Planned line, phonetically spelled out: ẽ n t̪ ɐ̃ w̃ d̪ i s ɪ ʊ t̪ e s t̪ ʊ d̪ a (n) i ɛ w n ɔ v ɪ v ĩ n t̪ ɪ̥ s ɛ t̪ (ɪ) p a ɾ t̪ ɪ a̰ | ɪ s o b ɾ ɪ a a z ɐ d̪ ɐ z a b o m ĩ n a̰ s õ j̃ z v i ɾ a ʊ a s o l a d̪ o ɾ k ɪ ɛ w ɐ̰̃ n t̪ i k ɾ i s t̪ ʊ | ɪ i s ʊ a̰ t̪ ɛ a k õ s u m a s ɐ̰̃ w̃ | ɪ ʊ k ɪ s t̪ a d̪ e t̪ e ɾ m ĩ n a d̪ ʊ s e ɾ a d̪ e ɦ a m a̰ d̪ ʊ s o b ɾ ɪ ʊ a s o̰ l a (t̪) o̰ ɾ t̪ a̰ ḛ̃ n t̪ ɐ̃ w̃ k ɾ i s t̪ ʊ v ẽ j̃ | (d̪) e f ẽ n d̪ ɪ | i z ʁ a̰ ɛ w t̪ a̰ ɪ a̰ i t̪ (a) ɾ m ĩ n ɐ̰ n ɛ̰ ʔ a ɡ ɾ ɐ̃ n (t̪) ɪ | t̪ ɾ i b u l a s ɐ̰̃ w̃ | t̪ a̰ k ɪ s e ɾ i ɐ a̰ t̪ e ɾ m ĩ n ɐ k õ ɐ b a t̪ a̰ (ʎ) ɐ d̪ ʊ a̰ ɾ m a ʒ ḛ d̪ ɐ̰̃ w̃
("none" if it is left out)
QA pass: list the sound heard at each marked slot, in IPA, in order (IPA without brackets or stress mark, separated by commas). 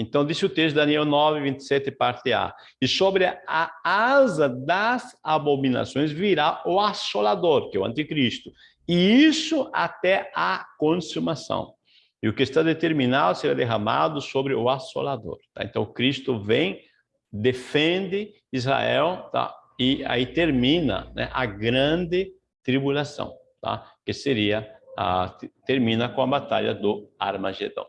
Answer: n, ɪ, d̪, d̪, e, d̪, ʎ